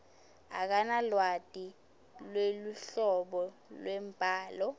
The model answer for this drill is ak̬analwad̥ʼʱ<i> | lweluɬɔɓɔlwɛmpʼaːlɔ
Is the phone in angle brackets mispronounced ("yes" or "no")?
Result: no